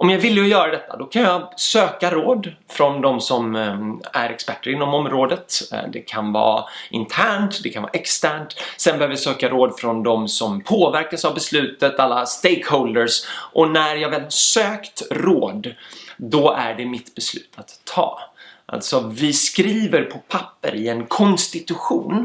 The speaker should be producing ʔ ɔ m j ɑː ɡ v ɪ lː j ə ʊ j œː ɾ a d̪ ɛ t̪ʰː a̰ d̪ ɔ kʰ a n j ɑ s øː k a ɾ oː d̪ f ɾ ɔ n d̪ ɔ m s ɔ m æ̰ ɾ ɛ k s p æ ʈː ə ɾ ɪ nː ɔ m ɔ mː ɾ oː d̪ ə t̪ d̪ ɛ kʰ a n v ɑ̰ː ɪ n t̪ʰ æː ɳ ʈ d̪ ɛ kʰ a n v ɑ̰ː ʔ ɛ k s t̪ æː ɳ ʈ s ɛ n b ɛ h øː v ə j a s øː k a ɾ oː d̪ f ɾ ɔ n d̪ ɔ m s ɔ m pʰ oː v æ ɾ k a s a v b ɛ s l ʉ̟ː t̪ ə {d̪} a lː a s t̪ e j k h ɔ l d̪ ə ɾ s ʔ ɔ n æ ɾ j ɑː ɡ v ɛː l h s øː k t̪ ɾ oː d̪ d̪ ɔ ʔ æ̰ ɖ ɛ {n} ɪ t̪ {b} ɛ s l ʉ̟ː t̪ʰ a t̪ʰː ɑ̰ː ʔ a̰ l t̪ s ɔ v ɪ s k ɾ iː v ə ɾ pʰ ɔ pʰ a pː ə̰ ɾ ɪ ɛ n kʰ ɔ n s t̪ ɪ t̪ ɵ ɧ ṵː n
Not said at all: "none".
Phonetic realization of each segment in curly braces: t̪, m, b

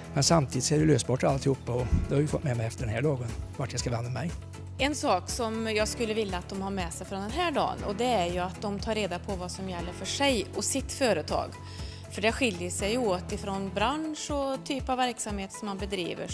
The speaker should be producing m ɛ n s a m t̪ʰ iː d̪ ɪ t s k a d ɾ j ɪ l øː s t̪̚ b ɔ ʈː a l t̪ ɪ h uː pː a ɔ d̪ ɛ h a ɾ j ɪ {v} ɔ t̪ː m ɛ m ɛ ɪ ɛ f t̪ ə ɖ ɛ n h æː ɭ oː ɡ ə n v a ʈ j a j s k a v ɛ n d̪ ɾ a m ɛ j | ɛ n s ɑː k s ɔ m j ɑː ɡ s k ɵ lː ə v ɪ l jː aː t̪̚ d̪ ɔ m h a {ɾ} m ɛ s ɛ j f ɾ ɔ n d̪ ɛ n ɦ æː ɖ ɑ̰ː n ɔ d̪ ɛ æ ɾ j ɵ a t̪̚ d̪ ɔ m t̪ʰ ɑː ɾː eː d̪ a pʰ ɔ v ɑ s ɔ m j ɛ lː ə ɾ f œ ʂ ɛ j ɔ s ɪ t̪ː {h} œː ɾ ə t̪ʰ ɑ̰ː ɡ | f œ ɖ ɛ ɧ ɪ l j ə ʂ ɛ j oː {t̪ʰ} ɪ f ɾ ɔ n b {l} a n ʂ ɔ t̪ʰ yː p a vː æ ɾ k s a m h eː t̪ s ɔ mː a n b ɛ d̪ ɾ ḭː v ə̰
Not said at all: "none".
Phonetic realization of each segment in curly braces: f, ɾ, f, t̪, ɾ

